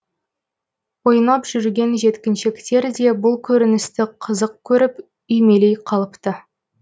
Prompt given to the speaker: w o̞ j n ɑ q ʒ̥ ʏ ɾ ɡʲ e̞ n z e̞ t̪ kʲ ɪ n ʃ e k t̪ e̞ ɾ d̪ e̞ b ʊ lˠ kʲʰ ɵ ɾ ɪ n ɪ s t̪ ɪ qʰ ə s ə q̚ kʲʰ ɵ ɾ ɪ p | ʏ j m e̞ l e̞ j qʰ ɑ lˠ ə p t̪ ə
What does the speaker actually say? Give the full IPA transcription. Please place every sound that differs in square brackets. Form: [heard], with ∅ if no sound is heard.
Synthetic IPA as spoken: w o̞ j n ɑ [p] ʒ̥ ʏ ɾ ɡʲ e̞ n [ʒ] e̞ t̪ kʲ ɪ n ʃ e k t̪ e̞ ɾ d̪ e̞ b ʊ lˠ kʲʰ ɵ ɾ ɪ n ɪ s t̪ ɪ qʰ ə [z] ə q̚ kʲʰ ɵ ɾ ɪ p | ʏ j m e̞ l e̞ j qʰ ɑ lˠ ə p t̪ ə